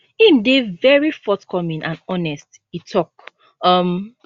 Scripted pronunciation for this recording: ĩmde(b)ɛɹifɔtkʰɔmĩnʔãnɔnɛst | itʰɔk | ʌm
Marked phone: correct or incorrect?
incorrect